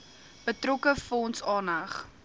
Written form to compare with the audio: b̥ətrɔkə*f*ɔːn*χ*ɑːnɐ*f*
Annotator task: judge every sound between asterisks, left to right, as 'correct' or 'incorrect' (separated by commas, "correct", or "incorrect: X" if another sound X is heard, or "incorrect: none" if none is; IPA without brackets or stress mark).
correct, incorrect: s, incorrect: χ